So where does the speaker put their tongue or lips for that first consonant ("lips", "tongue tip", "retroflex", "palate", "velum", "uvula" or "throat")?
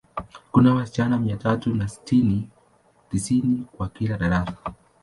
velum